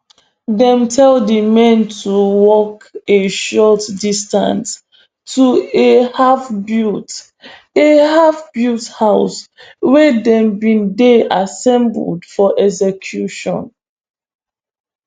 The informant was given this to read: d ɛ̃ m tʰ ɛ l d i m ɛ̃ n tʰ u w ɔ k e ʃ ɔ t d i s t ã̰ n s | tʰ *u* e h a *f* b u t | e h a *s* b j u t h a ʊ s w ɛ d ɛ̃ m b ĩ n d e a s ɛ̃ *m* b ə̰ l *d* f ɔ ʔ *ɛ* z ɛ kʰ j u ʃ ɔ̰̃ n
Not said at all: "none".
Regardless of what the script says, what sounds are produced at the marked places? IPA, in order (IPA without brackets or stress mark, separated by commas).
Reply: u, f, f, m, d, ɛ